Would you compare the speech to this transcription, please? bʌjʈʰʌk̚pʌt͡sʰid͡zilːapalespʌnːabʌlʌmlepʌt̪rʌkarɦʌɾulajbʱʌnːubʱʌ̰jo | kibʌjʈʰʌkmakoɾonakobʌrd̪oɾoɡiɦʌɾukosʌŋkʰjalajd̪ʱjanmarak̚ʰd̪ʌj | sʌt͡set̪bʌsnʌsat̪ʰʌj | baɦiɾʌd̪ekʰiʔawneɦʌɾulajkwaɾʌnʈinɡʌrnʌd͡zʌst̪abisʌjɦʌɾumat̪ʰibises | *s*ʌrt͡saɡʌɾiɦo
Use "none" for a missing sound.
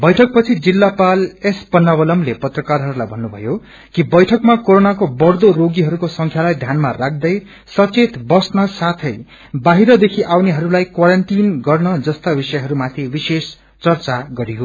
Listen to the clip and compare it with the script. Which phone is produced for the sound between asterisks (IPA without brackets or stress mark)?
t͡s